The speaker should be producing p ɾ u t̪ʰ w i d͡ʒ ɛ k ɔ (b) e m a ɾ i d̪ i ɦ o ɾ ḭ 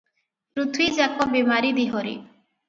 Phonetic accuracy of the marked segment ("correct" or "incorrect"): correct